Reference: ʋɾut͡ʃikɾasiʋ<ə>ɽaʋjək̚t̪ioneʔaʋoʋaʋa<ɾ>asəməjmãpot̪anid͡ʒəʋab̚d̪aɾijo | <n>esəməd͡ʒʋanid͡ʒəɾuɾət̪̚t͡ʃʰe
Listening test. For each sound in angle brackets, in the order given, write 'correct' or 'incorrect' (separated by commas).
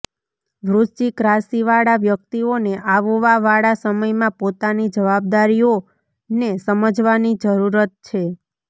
incorrect, incorrect, correct